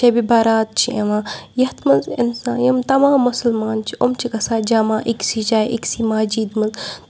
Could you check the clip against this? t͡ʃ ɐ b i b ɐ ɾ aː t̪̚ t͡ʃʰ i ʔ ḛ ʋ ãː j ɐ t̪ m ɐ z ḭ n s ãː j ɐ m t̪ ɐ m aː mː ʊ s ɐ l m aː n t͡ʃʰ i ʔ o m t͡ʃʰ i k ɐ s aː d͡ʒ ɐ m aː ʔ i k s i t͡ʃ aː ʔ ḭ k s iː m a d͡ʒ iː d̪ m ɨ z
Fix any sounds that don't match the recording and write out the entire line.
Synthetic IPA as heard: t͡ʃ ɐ b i b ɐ ɾ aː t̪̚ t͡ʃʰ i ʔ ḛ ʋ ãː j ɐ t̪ m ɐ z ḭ n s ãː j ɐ m t̪ ɐ m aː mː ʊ s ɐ l m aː n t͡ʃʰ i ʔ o m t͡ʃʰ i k ɐ s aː d͡ʒ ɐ m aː ʔ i k s i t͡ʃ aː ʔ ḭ k s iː m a d͡ʒ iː d̪ m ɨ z